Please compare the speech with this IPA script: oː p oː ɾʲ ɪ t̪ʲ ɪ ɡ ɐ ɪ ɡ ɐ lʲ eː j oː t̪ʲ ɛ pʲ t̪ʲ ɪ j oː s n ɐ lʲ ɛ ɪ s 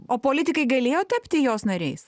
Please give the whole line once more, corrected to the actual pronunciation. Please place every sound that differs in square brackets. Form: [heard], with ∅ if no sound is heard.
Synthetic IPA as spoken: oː p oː [lʲ] ɪ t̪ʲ ɪ [k] ɐ ɪ ɡ ɐ lʲ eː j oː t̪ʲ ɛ pʲ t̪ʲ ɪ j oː s n ɐ [ɾʲ] ɛ ɪ s